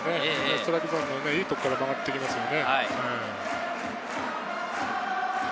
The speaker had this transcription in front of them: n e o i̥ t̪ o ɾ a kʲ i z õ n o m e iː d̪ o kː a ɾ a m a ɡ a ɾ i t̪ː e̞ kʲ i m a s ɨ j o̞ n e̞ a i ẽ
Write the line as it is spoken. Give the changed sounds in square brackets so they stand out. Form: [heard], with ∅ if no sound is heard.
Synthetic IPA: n e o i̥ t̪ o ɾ a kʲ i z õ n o [n] e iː [t̪] o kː a ɾ a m a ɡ a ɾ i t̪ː e̞ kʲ i m a s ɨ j o̞ n e̞ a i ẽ